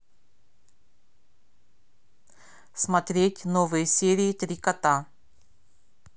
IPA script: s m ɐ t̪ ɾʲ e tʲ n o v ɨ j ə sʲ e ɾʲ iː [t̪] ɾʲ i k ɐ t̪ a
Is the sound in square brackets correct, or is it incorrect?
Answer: correct